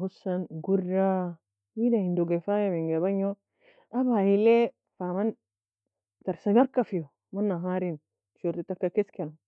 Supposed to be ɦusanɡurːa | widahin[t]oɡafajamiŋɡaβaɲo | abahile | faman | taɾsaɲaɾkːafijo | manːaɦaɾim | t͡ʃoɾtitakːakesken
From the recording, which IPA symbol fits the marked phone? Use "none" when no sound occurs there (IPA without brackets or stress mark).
d